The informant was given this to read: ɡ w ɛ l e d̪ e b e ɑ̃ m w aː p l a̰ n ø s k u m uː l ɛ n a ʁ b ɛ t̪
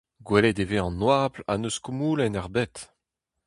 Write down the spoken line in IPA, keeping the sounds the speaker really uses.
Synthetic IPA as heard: ɡ w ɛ l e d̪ e v e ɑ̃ n w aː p l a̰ n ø s k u m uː l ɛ n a ʁ b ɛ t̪